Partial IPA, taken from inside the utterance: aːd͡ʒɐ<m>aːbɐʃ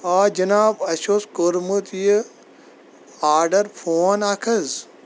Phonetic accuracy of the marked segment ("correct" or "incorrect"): incorrect